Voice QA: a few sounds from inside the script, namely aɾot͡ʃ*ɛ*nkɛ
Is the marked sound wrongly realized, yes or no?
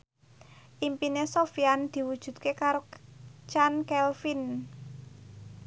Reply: yes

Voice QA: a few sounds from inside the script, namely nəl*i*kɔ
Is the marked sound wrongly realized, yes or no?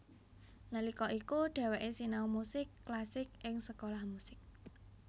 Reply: no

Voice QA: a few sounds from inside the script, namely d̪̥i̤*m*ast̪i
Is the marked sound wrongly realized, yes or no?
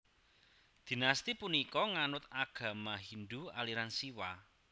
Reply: yes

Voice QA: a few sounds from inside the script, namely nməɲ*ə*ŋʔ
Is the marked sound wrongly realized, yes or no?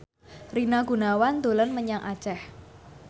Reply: yes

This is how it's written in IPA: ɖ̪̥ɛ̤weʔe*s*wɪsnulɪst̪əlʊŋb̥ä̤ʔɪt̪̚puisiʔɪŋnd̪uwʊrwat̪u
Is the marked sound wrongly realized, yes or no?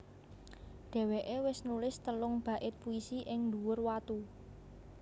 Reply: yes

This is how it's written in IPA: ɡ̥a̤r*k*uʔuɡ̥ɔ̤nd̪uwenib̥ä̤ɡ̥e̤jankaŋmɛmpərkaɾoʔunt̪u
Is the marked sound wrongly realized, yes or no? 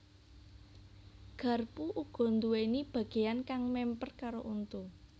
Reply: yes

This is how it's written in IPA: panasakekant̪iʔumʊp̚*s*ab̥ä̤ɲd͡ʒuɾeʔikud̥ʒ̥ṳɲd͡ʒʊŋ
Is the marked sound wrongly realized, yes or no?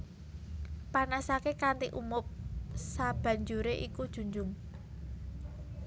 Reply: no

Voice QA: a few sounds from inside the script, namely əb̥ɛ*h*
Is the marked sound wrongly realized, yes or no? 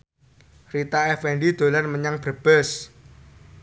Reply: yes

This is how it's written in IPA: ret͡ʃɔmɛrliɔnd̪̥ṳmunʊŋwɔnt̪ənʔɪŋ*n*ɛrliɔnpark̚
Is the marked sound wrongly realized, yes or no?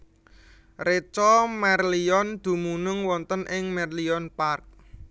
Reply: yes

